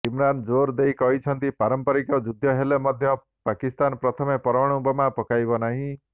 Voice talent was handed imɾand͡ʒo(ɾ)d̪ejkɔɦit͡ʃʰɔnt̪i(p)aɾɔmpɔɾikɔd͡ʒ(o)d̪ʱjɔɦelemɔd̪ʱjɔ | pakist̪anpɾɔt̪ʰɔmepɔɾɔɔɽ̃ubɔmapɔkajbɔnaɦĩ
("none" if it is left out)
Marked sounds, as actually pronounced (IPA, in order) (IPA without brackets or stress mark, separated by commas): ɾ, p, u